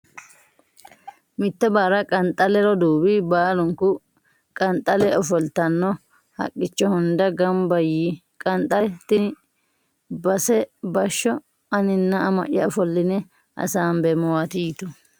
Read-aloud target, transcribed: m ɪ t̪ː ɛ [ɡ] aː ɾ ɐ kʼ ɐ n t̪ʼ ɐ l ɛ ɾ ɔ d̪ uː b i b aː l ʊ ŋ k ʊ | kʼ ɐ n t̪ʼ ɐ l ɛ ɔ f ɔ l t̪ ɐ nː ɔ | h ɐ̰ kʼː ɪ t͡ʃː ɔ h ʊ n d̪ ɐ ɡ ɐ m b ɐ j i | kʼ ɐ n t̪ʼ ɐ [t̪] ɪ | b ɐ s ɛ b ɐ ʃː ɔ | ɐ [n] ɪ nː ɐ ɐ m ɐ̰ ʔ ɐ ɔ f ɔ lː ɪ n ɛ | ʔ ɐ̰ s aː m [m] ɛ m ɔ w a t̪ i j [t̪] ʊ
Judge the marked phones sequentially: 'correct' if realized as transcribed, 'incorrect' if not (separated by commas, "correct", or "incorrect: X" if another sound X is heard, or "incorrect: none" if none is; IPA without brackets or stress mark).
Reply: incorrect: b, correct, correct, incorrect: b, correct